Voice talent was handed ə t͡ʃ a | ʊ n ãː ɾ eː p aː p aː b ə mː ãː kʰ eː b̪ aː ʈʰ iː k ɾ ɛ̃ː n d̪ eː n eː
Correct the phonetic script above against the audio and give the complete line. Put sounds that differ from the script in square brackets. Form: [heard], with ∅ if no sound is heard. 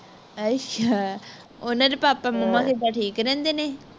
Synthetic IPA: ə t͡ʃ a | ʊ n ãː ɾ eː p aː p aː [m] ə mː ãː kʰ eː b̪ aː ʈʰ iː k ɾ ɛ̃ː n d̪ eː n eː